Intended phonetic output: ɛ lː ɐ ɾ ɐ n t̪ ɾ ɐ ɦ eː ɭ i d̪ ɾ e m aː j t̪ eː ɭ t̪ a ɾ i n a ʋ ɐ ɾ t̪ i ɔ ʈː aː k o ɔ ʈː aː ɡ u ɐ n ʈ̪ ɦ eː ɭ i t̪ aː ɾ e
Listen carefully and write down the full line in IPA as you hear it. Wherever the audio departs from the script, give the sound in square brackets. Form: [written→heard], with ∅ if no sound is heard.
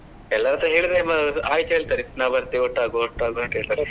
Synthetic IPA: ɛ lː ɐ ɾ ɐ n t̪ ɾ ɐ ɦ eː ɭ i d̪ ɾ e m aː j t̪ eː ɭ t̪ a ɾ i n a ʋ ɐ ɾ t̪ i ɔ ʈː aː [k→ɡ] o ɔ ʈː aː ɡ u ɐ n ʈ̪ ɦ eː ɭ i t̪ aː ɾ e